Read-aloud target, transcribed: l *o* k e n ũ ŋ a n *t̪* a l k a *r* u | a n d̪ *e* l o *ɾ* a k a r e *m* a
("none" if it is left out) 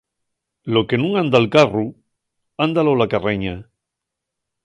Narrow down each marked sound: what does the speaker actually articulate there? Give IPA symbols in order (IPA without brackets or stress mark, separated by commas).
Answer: o, d̪, r, a, l, ɲ